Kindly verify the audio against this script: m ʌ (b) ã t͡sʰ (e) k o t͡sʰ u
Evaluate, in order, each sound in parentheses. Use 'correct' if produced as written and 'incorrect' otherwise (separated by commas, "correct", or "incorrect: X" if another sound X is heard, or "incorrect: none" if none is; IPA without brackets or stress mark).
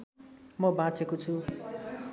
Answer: correct, correct